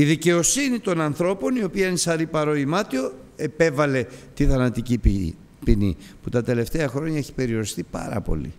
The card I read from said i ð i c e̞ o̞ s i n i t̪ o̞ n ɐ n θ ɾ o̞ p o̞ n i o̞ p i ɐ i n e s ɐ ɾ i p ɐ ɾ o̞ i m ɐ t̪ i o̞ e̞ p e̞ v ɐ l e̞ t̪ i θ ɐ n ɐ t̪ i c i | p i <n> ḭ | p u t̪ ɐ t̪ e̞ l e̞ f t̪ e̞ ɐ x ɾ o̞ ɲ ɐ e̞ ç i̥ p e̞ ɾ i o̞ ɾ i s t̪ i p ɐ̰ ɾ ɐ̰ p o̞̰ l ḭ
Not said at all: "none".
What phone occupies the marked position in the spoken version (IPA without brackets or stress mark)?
n